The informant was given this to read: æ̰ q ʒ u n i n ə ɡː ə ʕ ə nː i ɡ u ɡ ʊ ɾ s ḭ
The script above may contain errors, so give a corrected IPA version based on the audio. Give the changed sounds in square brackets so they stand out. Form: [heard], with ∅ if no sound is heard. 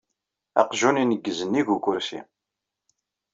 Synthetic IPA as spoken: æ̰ q ʒ u n i n ə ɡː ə [z] ə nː i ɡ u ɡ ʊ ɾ s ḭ